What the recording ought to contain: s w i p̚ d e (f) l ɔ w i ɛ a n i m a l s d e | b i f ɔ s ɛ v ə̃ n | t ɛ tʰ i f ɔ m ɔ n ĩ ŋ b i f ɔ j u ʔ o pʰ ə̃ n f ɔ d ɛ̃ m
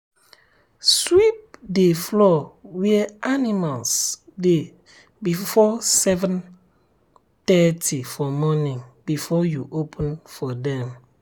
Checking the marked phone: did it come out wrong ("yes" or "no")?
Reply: no